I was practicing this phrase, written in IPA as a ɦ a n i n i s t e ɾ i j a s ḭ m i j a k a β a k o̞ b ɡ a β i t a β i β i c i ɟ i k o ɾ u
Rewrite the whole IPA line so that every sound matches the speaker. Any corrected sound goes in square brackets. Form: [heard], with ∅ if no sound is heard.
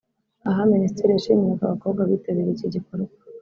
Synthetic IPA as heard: a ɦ a [m] i n i s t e ɾ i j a [ʃ] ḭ m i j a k a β a k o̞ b ɡ a β i t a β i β i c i ɟ i k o ɾ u

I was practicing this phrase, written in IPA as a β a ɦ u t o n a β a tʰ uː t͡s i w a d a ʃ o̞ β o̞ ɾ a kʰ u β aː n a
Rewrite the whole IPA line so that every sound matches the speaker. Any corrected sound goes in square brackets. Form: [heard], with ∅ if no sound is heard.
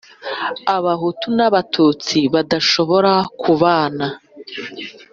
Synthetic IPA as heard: a β a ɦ u t [u] n a β a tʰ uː t͡s i [β] a d a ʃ o̞ β o̞ ɾ a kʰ u β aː n a

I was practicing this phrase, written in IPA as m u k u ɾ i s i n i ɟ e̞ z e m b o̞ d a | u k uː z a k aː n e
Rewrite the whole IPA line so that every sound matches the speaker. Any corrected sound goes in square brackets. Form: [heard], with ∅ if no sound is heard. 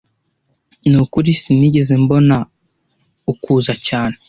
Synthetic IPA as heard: [n] u k u ɾ i s i n i ɟ e̞ z e m b o̞ [n] a | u k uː z a [c] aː n e

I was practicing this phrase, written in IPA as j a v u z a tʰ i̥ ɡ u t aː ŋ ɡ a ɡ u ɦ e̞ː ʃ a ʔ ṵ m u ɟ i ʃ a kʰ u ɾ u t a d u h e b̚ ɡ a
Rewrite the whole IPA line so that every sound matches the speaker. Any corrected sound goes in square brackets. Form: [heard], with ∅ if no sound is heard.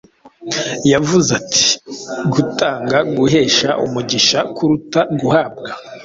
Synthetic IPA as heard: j a v u z a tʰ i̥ ɡ u t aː ŋ ɡ a ɡ u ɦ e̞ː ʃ a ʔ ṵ m u ɟ i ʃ a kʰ u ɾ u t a [ɡ] u h [a] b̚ ɡ a

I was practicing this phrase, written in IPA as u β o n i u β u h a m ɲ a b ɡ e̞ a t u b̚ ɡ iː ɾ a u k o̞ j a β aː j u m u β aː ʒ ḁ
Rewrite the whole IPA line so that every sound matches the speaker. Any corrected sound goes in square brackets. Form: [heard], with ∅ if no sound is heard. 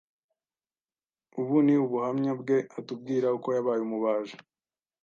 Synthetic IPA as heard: u β [u] n i u β u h a m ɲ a b ɡ e̞ a t u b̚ ɡ iː ɾ a u k o̞ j a β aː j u m u β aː ʒ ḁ

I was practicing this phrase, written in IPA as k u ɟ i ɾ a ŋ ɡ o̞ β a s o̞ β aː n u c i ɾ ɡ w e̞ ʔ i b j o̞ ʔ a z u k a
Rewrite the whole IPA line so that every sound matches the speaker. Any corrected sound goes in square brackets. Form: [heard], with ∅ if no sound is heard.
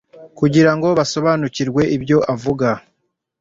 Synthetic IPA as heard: k u ɟ i ɾ a ŋ ɡ o̞ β a s o̞ β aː n u c i ɾ ɡ w e̞ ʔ i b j o̞ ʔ a [v] u [ɡ] a

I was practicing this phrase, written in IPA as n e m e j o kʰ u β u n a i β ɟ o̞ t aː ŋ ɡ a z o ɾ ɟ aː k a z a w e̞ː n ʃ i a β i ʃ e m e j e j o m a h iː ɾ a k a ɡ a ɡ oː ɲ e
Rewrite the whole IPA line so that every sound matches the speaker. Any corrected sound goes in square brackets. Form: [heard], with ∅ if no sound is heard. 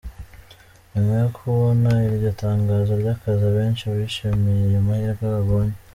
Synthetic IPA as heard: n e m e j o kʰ u β [o] n a i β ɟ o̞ t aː ŋ ɡ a z o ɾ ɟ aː k a z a [β] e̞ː n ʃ i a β i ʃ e m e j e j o m a h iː ɾ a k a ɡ a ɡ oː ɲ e

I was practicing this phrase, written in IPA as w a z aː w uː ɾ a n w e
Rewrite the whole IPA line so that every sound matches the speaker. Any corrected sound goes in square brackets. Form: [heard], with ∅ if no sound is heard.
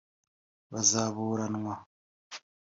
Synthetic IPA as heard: [β] a z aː [β] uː ɾ a n w [a]

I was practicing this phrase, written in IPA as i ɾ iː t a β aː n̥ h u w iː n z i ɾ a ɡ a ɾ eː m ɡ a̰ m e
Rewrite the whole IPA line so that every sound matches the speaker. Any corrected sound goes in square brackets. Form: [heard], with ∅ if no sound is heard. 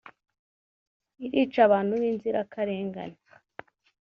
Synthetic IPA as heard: i ɾ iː [t͡ʃ] a β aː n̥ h u [β] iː n z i ɾ a [k] a ɾ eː [ŋ] ɡ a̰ [n] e

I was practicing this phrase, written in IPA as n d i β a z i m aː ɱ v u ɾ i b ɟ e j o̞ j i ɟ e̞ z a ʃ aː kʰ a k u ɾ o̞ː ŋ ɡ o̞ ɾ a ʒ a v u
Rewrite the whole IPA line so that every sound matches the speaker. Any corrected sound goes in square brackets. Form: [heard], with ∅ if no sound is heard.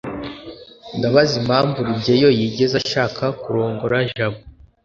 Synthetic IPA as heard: n d [a] β a z i m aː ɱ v u ɾ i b ɟ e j o̞ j i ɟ e̞ z a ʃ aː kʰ a k u ɾ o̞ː ŋ ɡ o̞ ɾ a ʒ a [β] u

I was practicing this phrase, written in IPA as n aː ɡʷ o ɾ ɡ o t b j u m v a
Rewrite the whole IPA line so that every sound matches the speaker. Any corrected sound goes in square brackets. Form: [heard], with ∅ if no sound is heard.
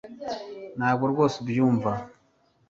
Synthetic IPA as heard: n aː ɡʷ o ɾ ɡ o [s] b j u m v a

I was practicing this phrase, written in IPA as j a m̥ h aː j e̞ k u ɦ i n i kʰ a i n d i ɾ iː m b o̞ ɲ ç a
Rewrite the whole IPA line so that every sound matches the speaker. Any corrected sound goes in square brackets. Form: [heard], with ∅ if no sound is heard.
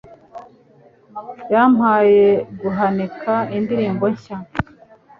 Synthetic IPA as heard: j a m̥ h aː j e̞ [ɡ] u ɦ [a] n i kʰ a i n d i ɾ iː m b o̞ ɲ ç a

